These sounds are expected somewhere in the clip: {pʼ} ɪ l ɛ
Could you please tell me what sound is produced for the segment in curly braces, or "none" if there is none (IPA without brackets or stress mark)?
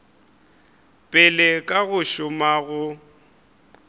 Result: pʼ